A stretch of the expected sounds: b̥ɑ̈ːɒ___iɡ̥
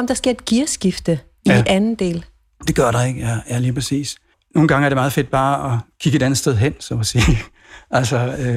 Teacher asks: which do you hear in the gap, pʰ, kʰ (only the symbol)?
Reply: kʰ